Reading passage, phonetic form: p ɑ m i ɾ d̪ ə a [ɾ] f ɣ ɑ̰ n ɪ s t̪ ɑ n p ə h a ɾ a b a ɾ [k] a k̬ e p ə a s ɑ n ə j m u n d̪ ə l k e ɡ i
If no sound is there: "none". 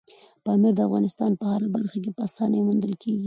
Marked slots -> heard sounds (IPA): none, x

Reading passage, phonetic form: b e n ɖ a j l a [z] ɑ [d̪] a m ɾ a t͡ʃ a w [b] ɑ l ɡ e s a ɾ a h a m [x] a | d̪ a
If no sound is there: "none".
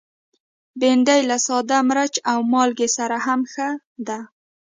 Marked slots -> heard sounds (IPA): s, d̪, m, x

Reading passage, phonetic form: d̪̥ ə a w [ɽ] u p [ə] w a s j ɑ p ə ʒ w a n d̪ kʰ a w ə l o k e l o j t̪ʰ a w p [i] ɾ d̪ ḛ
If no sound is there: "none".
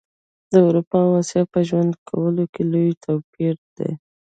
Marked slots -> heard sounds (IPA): ɾ, ɑ, i

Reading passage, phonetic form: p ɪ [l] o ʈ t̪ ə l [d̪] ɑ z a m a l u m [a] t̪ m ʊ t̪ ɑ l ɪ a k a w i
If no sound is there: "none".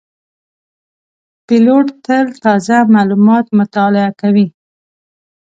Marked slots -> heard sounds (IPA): l, t̪, ɑ

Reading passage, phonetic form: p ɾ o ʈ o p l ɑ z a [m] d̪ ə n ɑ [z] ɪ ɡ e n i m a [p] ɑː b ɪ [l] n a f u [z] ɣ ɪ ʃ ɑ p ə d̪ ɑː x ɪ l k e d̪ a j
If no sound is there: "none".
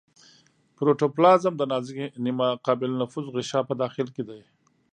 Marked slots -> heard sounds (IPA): m, z, q, l, z

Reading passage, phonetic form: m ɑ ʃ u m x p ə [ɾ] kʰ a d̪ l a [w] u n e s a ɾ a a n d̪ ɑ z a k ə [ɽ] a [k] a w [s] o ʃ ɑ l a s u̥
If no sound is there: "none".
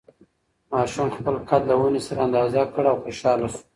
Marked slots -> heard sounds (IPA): l, w, ɽ, none, x

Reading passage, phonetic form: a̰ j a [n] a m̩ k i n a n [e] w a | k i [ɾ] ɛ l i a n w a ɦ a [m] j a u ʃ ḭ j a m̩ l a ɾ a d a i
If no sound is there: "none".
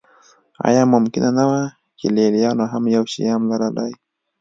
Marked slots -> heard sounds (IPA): m, a, l, m

